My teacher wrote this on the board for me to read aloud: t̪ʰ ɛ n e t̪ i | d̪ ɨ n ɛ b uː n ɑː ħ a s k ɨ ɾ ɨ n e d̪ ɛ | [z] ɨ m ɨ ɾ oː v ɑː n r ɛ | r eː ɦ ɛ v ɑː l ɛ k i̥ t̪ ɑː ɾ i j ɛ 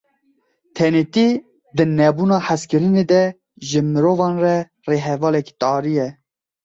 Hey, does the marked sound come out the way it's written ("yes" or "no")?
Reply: no